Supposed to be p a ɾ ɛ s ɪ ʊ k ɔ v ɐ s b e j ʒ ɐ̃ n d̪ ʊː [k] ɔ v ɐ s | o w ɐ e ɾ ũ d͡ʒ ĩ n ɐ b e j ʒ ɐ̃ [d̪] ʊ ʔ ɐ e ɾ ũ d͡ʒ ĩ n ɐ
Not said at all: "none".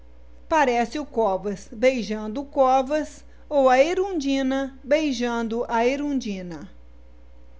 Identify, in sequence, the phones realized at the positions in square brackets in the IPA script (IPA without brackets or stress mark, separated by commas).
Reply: k, d̪